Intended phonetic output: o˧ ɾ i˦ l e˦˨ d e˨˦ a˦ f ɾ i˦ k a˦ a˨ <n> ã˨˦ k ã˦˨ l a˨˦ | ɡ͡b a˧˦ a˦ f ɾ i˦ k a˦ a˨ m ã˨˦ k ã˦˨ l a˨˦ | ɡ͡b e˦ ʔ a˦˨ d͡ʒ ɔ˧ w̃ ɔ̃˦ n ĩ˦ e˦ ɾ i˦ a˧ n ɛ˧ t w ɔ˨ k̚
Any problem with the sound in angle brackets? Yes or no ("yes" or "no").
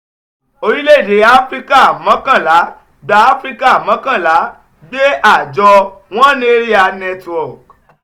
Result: yes